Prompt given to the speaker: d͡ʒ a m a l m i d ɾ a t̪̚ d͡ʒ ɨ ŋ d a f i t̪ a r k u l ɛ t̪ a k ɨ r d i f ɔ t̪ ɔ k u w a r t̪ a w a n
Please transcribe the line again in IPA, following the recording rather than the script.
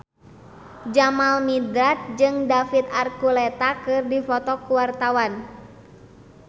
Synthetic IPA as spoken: d͡ʒ a m a l m i d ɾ a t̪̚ d͡ʒ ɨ ŋ d a f i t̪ a r k u l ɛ t̪ a k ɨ r d i f ɔ t̪ ɔ k u w a r t̪ a w a n